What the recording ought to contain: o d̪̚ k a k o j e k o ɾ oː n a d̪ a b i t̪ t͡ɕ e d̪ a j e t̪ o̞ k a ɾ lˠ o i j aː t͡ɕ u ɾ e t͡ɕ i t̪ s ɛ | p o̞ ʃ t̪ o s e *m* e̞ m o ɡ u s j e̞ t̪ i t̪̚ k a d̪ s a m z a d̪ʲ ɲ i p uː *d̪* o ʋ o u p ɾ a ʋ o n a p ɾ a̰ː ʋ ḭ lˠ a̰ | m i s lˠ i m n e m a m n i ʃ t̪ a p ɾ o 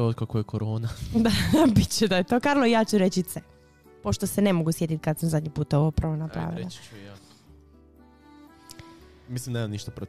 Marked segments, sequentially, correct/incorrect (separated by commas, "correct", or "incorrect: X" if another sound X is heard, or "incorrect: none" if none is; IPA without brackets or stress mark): incorrect: n, incorrect: t̪